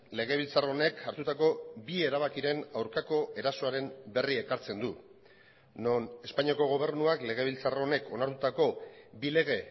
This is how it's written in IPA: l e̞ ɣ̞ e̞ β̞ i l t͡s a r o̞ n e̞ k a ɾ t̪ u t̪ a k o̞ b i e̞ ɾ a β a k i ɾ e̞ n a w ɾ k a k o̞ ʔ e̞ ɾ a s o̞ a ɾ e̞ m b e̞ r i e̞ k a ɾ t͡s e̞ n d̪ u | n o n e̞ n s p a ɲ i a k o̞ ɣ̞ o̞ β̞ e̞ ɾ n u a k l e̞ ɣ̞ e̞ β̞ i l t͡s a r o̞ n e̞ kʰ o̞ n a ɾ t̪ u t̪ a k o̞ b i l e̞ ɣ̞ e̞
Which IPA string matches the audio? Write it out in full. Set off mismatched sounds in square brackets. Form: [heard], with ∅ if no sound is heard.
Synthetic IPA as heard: l e̞ ɣ̞ e̞ β̞ i l t͡s a r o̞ n e̞ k a ɾ t̪ u t̪ a k o̞ b i e̞ ɾ a β a k i ɾ e̞ n a w ɾ k a k o̞ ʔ e̞ ɾ a s o̞ a ɾ e̞ m b e̞ r i e̞ k a ɾ t͡s e̞ n d̪ u | n o n e̞ [∅] s p a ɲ i a k o̞ ɣ̞ o̞ β̞ e̞ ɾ n u a k l e̞ ɣ̞ e̞ β̞ i l t͡s a r o̞ n e̞ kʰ o̞ n a ɾ t̪ u t̪ a k o̞ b i l e̞ ɣ̞ e̞

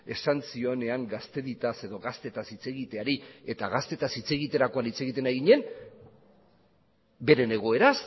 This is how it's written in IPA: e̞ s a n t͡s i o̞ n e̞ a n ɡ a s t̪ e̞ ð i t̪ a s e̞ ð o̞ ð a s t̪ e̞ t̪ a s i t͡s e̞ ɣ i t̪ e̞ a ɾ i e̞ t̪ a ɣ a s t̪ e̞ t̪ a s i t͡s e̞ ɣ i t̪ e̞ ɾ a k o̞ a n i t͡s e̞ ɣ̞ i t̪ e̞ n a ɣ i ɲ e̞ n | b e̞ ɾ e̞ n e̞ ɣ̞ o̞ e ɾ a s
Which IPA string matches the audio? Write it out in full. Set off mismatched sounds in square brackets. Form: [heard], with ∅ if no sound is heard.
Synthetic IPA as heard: e̞ s a n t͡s i o̞ n e̞ a [ŋ] ɡ a s t̪ e̞ ð i t̪ a s e̞ ð o̞ [ɣ] a s t̪ e̞ t̪ a s i t͡s e̞ ɣ i t̪ e̞ a ɾ i e̞ t̪ a ɣ a s t̪ e̞ t̪ a s i t͡s e̞ ɣ i t̪ e̞ ɾ a k o̞ a n i t͡s e̞ ɣ̞ i t̪ e̞ n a ɣ i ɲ e̞ n | b e̞ ɾ e̞ n e̞ ɣ̞ o̞ e ɾ a s

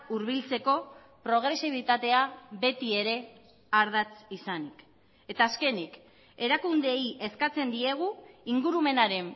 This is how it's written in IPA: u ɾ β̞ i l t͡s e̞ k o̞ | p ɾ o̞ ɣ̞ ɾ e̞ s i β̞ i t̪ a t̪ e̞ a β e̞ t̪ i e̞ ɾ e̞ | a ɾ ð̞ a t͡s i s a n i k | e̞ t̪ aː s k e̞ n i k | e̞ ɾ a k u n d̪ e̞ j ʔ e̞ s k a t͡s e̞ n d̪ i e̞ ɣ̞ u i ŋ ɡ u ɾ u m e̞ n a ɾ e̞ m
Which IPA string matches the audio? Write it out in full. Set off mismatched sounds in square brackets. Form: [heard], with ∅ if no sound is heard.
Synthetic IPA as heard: u ɾ β̞ i l t͡s e̞ k o̞ | p ɾ o̞ ɣ̞ ɾ e̞ s i β̞ i t̪ a t̪ e̞ a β e̞ t̪ i e̞ ɾ e̞ | a ɾ ð̞ a t͡s i s a n i k | e̞ t̪ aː s k e̞ n i k | e̞ ɾ a k u n d̪ e̞ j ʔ e̞ s k a t͡s e̞ n d̪ i e̞ ɣ̞ u i ŋ ɡ u ɾ u m e̞ n a ɾ e̞ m

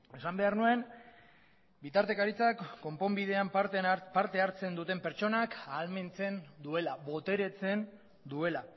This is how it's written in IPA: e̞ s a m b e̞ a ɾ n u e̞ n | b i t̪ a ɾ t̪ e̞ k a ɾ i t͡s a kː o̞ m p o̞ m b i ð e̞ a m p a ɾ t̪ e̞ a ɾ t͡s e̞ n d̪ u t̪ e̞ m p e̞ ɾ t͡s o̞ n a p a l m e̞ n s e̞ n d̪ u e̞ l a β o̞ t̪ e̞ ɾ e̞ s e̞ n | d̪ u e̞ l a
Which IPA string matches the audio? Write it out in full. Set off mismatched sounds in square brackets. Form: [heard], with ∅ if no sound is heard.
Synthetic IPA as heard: e̞ s a m b e̞ a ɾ n u e̞ n | b i t̪ a ɾ t̪ e̞ k a ɾ i t͡s a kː o̞ m p o̞ m b i ð e̞ a m p a ɾ t̪ e̞ a ɾ t͡s e̞ n d̪ u t̪ e̞ m p e̞ ɾ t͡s o̞ n a [k] a l m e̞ n [t͡s] e̞ n d̪ u e̞ l a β o̞ t̪ e̞ ɾ e̞ [t͡s] e̞ n | d̪ u e̞ l a

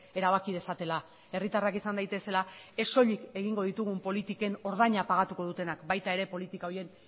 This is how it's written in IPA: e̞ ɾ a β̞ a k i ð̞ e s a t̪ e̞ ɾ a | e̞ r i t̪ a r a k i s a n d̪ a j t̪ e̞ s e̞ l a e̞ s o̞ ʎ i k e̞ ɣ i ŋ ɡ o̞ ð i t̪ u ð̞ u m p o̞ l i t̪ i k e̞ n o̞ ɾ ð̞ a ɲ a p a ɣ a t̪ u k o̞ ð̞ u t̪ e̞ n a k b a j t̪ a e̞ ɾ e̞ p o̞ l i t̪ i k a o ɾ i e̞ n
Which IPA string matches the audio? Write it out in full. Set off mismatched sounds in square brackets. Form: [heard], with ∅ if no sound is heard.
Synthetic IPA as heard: e̞ ɾ a β̞ a k i ð̞ e s a t̪ e̞ [l] a | e̞ r i t̪ a r a k i s a n d̪ a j t̪ e̞ s e̞ l a e̞ s o̞ ʎ i k e̞ ɣ i ŋ ɡ o̞ ð i t̪ u [ɣ̞] u m p o̞ l i t̪ i k e̞ n o̞ ɾ ð̞ a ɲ a p a ɣ a t̪ u k o̞ ð̞ u t̪ e̞ n a k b a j t̪ a e̞ ɾ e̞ p o̞ l i t̪ i k a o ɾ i e̞ n

